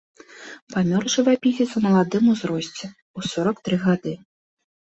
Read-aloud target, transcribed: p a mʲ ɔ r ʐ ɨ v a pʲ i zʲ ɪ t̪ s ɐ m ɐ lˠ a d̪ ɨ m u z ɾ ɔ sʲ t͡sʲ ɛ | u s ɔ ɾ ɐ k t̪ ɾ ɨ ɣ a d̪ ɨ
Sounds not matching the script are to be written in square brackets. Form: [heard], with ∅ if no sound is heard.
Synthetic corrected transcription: p a mʲ ɔ r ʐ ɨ v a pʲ i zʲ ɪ t̪ s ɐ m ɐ lˠ a d̪ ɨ m u z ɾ ɔ sʲ t͡sʲ ɛ | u s ɔ ɾ ɐ k t̪ ɾ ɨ ɣ a d̪ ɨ